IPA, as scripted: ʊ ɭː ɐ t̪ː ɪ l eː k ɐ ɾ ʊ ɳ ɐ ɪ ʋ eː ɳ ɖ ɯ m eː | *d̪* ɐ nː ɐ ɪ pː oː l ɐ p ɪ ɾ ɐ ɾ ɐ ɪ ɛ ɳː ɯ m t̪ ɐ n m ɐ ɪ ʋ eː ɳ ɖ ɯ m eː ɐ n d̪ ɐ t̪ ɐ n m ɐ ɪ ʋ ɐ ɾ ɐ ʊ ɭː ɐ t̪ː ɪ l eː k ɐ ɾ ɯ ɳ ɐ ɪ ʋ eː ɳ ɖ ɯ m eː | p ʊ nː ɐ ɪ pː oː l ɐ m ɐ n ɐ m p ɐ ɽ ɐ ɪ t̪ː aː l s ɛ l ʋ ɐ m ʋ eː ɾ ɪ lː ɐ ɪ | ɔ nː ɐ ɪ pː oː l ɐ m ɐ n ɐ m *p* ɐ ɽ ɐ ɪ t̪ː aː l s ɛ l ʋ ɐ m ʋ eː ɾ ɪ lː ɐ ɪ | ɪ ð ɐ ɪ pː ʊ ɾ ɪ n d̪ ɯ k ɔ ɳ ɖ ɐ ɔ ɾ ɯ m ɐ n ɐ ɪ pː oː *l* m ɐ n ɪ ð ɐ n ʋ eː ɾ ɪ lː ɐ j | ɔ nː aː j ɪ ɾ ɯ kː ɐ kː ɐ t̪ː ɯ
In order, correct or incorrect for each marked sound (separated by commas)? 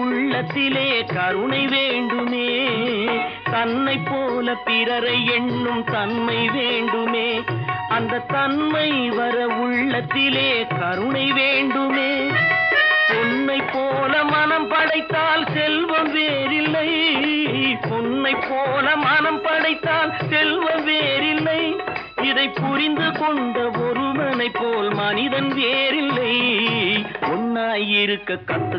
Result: incorrect, correct, correct